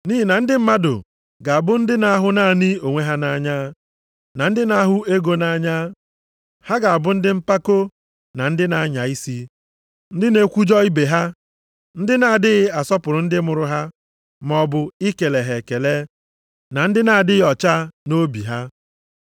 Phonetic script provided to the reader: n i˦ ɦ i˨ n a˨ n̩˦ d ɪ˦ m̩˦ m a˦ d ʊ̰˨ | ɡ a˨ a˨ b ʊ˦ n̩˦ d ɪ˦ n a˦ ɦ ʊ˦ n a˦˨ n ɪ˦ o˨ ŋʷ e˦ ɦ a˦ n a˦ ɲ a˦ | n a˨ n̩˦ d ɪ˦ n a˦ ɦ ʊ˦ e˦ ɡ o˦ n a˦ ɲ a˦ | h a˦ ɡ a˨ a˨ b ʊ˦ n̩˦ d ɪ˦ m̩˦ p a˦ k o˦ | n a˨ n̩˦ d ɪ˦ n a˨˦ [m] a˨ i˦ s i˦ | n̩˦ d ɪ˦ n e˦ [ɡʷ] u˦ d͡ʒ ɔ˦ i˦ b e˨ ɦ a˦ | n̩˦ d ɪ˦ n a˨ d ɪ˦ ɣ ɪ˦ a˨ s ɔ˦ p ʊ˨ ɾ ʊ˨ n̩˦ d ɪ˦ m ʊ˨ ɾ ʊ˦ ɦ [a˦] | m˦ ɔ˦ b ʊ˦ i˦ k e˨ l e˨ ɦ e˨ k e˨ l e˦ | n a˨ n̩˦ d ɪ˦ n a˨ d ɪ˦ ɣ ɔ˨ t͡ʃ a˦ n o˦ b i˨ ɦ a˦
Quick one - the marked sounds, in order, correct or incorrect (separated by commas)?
incorrect, incorrect, correct